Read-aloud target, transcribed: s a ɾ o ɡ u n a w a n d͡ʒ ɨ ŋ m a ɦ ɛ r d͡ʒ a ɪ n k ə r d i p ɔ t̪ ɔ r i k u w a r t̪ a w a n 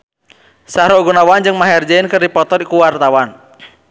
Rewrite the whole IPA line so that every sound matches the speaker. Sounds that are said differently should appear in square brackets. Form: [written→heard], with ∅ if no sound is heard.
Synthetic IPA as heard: s a ɾ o ɡ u n a w a n d͡ʒ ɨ ŋ m a ɦ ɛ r d͡ʒ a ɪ n k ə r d i p ɔ t̪ ɔ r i k u w a r t̪ a w a n